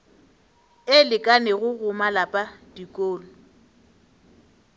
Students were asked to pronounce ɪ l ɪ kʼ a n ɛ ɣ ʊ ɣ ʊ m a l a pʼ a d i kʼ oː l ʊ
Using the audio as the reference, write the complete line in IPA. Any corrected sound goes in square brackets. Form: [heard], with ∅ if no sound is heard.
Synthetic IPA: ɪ l ɪ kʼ a n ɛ ɣ ʊ ɣ ʊ m a l a pʼ a d i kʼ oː l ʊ